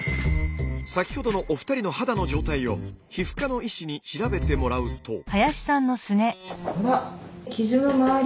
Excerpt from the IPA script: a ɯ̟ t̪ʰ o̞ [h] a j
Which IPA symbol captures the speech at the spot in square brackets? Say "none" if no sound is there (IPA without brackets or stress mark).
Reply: h